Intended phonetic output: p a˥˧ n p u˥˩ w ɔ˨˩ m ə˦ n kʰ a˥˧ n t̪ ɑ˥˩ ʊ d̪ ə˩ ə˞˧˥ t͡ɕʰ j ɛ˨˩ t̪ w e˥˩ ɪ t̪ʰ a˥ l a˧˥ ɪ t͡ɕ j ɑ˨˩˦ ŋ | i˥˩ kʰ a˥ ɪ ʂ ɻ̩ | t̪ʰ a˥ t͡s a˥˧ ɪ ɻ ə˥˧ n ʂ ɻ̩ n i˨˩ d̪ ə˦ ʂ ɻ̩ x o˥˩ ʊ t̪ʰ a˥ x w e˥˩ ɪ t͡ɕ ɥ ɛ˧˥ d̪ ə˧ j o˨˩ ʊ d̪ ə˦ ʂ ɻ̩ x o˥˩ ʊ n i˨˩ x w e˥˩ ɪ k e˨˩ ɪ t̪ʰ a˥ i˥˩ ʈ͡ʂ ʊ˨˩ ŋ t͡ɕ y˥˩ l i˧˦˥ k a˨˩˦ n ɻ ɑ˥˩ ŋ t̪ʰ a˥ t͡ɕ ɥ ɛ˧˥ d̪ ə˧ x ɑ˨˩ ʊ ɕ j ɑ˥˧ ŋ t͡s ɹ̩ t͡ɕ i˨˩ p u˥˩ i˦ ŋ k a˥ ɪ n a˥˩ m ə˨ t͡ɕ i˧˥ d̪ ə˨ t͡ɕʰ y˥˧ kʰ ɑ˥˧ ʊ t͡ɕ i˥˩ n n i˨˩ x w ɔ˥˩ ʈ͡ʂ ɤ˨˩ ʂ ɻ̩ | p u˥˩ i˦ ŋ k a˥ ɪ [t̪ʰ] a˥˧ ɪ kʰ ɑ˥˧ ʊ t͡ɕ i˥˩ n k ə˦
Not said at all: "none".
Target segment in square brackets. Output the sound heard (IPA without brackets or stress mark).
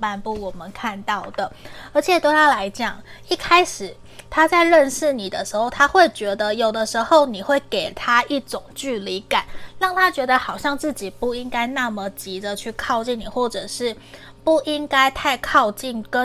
t̪ʰ